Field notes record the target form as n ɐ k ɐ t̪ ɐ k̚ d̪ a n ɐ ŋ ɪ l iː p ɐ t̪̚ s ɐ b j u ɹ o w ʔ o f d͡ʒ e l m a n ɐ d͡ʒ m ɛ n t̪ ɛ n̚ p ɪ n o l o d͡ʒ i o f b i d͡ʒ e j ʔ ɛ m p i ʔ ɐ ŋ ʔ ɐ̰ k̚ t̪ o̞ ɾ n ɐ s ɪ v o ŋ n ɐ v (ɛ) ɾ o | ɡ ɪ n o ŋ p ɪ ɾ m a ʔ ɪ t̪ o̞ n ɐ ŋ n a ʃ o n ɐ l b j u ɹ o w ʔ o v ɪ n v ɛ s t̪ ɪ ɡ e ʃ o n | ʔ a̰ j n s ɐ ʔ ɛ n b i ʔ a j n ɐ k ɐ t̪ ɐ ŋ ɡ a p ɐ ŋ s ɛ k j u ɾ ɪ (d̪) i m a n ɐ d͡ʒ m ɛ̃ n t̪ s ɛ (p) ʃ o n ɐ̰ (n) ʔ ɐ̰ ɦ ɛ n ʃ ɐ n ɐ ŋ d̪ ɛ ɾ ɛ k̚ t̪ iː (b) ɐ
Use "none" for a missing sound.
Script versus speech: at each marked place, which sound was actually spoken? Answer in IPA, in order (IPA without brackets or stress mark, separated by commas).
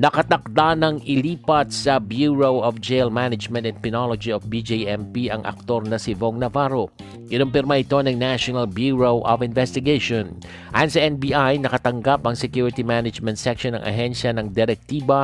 a, t̪, k, ŋ, b